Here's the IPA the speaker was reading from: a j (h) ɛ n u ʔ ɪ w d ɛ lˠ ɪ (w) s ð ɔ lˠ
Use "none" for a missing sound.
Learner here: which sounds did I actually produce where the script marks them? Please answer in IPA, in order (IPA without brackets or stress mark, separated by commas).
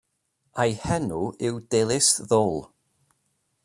h, none